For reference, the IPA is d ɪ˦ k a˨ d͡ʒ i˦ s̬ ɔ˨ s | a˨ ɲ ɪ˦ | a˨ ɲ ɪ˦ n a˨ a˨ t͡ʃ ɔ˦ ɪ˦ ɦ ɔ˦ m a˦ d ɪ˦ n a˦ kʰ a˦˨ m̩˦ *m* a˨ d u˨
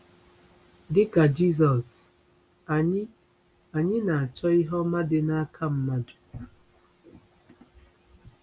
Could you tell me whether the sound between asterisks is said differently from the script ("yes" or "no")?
yes